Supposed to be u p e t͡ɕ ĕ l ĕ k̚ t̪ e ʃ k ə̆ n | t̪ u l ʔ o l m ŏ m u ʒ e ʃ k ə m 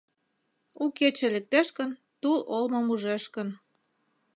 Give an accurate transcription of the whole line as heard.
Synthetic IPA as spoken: u k e t͡ɕ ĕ l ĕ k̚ t̪ e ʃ k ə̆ n | t̪ u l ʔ o l m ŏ m u ʒ e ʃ k ə n